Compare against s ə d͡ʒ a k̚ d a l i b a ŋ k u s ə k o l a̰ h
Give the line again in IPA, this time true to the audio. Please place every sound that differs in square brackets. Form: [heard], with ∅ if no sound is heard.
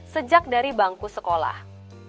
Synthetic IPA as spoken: s ə d͡ʒ a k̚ d a [ɾ] i b a ŋ k u s ə k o l a̰ h

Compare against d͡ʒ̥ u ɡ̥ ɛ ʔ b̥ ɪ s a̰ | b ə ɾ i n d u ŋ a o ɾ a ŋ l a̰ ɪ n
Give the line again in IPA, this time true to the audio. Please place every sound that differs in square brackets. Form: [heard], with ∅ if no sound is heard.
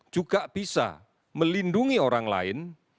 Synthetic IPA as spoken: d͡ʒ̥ u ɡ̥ [a] ʔ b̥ [i] s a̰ | [m] ə [l] i n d u ŋ [i] o ɾ a ŋ l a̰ ɪ n

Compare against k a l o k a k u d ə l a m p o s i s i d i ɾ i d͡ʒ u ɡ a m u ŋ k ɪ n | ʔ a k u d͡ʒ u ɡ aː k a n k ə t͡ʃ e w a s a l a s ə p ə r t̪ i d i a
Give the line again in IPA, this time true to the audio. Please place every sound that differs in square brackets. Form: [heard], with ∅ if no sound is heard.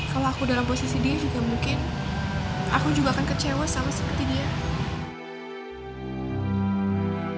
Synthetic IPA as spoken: k a l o [∅] a k u d [a] l a m p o s i s i d i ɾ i d͡ʒ u ɡ a m u ŋ k ɪ n | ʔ a k u d͡ʒ u ɡ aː k a n k ə t͡ʃ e w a s a l a s ə p ə r t̪ i d i a

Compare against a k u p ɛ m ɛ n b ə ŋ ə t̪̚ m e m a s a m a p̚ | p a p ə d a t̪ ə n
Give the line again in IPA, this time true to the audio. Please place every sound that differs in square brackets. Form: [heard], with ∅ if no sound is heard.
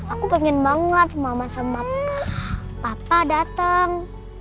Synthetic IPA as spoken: a k u p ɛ [ŋ] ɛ n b [a] ŋ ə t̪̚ m [a] m a s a m a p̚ | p a p [a] d a t̪ ə [ŋ]

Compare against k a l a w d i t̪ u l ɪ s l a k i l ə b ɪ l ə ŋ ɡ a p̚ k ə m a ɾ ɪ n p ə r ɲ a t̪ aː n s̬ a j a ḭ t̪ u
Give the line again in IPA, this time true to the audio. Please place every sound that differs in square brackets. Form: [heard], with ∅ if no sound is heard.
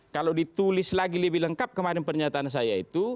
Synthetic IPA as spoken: k a l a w d i t̪ u l ɪ s l a [ɡ] i l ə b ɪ l ə ŋ [k] a p̚ k ə m a ɾ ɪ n p ə r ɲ a t̪ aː n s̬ a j a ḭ t̪ u

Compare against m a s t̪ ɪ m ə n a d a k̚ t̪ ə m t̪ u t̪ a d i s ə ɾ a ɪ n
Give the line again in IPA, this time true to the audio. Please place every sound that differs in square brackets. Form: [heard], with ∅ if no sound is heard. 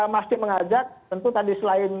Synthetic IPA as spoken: m a s t̪ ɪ m ə [ŋ] a [d͡ʒ] a k̚ t̪ ə [n] t̪ u t̪ a d i s ə [l] a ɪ n

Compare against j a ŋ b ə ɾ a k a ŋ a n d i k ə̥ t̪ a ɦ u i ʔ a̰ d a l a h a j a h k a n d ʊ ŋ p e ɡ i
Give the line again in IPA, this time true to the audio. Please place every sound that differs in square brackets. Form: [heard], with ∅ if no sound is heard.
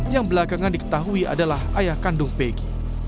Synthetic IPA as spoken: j a ŋ b ə [l] a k a ŋ a n d i k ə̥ t̪ a ɦ u i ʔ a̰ d a l a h a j a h k a n d ʊ ŋ p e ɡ i

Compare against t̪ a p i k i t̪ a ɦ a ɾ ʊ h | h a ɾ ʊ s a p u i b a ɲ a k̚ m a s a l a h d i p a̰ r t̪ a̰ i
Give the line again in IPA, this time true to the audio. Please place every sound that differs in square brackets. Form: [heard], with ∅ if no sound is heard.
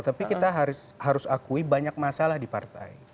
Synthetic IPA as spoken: t̪ a p i k i t̪ a ɦ a ɾ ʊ [s] | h a ɾ ʊ s a [k] u i b a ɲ a k̚ m a s a l a h d i p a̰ r t̪ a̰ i

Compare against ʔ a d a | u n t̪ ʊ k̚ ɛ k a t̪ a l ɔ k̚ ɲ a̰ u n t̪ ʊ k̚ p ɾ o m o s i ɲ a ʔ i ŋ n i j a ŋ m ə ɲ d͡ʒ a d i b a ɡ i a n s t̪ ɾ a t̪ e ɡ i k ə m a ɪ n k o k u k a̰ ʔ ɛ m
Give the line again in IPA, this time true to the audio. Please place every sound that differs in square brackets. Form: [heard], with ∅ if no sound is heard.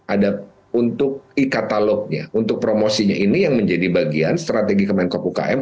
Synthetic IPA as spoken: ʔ a d a | u n t̪ ʊ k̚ [i] k a t̪ a l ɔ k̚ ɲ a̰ u n t̪ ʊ k̚ p ɾ o m o s i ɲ a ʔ i [∅] n i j a ŋ m ə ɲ d͡ʒ a d i b a ɡ i a n s t̪ ɾ a t̪ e ɡ i k ə m a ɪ n k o [p] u k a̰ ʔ ɛ m

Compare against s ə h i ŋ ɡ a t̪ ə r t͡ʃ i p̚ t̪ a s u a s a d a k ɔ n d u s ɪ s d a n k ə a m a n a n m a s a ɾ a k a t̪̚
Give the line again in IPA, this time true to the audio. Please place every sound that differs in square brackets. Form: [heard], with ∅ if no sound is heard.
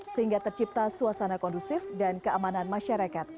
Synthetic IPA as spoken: s ə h i ŋ ɡ a t̪ ə r t͡ʃ i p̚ t̪ a s u a s a [n] a k ɔ n d u s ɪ [f] d a n k ə a m a n a n m a [ʃ] a ɾ a k a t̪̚

